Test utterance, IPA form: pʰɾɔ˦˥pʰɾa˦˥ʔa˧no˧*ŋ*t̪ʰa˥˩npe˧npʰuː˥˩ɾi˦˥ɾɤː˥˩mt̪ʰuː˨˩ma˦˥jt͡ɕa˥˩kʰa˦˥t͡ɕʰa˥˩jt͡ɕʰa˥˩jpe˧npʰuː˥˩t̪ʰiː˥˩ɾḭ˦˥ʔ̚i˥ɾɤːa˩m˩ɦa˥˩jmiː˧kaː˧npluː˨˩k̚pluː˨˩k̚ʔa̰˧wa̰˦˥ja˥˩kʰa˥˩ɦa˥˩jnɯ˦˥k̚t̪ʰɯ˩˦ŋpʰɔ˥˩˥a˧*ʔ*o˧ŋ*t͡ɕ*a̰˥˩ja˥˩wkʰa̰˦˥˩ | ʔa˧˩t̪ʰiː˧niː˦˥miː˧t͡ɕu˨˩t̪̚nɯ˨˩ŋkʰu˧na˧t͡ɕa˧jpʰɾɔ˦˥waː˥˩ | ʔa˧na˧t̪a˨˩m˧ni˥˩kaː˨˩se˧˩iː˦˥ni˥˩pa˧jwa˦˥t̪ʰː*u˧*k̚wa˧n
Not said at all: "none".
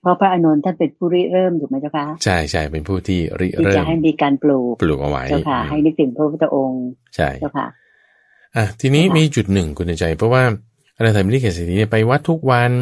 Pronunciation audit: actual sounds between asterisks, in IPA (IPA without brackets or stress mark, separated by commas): n, ʔ, t͡ɕʰ, u˦˥